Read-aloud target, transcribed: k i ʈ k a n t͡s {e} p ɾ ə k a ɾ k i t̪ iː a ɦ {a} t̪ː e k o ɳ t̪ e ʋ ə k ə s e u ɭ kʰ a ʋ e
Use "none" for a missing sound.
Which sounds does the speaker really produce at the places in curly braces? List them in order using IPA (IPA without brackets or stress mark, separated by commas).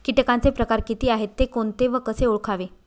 e, e